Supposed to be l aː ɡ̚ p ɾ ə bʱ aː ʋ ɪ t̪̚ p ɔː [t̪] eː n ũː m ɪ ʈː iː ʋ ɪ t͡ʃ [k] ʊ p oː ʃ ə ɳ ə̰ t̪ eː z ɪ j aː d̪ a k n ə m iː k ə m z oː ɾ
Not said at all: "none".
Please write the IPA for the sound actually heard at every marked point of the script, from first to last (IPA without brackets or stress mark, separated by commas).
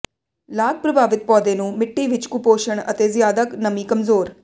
d̪, k